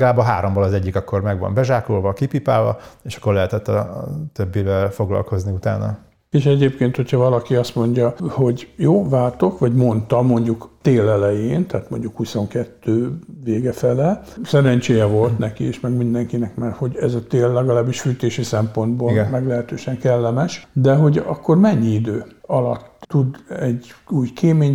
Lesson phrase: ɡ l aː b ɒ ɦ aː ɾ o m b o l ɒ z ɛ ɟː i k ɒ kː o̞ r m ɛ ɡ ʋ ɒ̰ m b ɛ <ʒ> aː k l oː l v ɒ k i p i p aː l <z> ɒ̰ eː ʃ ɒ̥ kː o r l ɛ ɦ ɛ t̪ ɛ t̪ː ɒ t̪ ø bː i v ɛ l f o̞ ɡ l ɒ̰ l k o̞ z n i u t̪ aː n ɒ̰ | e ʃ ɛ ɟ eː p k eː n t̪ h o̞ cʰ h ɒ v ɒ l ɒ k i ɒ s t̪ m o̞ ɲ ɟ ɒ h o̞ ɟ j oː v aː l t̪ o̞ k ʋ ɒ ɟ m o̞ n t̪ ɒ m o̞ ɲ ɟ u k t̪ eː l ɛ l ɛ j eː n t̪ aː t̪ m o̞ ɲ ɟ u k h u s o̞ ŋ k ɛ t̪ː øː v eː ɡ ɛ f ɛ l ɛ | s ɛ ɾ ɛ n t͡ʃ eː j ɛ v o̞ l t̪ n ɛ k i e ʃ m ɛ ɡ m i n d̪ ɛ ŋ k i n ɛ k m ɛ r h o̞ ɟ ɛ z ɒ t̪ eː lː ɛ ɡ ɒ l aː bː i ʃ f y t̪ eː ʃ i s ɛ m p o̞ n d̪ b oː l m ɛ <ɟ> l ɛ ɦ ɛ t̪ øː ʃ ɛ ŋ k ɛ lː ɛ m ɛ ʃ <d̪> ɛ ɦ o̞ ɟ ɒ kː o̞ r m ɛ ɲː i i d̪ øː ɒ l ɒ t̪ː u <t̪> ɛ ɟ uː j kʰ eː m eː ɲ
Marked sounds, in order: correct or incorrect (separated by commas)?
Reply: correct, incorrect, incorrect, correct, incorrect